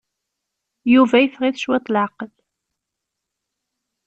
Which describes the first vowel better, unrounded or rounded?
rounded